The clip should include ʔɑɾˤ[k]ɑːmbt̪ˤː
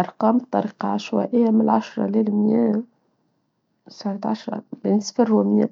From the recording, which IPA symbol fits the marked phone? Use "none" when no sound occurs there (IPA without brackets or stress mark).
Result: q